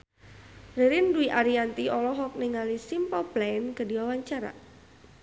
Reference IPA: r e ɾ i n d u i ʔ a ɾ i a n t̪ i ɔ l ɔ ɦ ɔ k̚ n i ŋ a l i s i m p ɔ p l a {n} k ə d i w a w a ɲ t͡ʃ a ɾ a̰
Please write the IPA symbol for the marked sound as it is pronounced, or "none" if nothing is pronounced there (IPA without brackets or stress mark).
n